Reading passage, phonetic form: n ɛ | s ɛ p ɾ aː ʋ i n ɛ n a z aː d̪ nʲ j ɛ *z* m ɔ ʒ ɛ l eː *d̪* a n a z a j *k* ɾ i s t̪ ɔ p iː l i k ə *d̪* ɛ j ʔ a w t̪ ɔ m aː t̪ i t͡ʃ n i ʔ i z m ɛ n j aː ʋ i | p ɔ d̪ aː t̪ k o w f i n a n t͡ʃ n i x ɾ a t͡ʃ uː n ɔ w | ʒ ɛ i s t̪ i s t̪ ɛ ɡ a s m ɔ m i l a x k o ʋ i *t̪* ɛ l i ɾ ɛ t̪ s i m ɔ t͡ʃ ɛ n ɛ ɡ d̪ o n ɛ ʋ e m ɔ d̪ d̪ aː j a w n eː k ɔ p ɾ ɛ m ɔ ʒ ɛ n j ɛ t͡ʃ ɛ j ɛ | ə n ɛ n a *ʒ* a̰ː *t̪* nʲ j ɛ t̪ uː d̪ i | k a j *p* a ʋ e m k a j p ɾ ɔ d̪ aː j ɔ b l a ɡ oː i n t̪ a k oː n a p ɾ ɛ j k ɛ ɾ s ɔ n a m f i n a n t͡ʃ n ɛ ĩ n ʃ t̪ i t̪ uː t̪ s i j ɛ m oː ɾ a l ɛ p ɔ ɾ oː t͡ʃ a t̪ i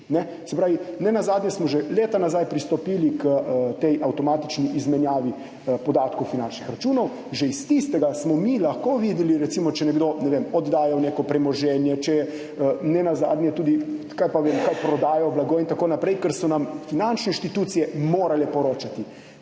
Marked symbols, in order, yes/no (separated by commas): no, no, no, no, no, no, no, yes